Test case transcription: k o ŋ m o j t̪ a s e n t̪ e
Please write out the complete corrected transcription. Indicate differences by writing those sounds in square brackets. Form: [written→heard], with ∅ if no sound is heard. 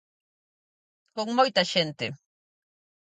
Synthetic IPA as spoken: k o ŋ m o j t̪ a [s→ʃ] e n t̪ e